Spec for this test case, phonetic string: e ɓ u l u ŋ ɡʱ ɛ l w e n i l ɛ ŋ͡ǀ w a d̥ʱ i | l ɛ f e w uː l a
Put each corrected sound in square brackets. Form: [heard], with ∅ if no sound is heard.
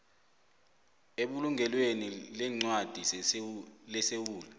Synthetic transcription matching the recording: e ɓ u l u ŋ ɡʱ ɛ l w e n i l ɛ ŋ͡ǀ w a d̥ʱ i | l ɛ [s] e w uː l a